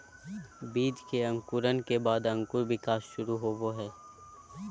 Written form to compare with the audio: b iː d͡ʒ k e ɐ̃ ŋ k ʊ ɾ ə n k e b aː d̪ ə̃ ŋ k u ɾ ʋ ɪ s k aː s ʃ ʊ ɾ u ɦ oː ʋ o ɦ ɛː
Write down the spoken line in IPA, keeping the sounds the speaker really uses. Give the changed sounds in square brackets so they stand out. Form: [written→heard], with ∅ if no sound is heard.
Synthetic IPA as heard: b iː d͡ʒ k e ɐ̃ ŋ k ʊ ɾ ə n k e b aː d̪ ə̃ ŋ k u ɾ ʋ ɪ [s→∅] k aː s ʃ ʊ ɾ u ɦ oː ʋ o ɦ ɛː